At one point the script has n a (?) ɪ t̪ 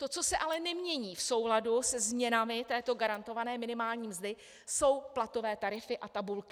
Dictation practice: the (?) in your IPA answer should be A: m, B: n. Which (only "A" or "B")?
A